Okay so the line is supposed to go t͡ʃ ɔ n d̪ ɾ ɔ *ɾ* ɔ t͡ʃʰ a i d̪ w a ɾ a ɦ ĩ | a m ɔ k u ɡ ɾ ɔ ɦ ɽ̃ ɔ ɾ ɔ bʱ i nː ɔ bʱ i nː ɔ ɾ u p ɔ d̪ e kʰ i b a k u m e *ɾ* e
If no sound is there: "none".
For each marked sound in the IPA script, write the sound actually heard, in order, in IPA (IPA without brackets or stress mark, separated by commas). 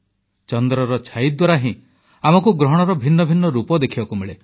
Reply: ɾ, ɭ